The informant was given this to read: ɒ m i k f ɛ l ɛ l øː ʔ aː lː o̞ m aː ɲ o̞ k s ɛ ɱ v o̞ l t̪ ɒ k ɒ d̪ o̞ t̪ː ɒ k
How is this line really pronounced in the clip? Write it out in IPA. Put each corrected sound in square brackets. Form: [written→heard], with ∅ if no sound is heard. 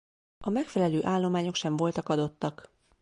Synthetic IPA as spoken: ɒ m [i→ɛ] k f ɛ l ɛ l øː ʔ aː lː o̞ m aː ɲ o̞ k [s→ʃ] ɛ ɱ v o̞ l t̪ ɒ k ɒ d̪ o̞ t̪ː ɒ k